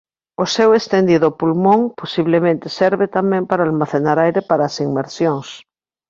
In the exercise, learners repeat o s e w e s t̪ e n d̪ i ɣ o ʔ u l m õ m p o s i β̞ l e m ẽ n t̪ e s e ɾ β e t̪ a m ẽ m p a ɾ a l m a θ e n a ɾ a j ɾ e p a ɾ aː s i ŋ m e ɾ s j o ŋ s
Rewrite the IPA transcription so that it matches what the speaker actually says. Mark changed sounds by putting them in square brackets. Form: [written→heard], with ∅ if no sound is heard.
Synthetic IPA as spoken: o s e w e s t̪ e n d̪ i [ɣ→ð] o [ʔ→p] u l m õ [m→ŋ] p o s i β̞ l e m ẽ n t̪ e s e ɾ β e t̪ a m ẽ m p a ɾ a l m a θ e n a ɾ a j ɾ e p a ɾ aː s i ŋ m e ɾ s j o ŋ s